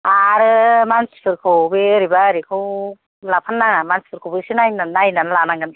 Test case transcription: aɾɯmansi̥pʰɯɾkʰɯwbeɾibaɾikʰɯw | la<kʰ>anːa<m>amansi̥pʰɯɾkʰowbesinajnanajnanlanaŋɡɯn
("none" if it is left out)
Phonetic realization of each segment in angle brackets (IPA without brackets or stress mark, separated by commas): pʰ, ŋ